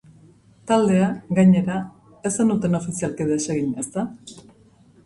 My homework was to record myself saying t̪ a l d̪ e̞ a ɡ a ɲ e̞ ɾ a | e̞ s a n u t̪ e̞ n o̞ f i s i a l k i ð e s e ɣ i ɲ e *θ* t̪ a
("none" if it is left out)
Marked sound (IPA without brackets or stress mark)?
s